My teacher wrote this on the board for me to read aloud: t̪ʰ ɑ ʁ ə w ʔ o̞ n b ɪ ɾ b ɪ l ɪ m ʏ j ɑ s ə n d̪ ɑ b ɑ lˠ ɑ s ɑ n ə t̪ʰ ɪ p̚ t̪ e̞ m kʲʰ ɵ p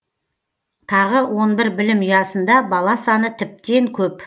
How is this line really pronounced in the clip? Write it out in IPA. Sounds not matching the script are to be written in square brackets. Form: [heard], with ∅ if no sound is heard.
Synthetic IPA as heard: t̪ʰ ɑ ʁ ə w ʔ o̞ n b ɪ ɾ b ɪ l ɪ m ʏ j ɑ s ə n d̪ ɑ b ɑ lˠ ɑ s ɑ n ə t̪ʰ ɪ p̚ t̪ e̞ [ŋ] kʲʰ ɵ p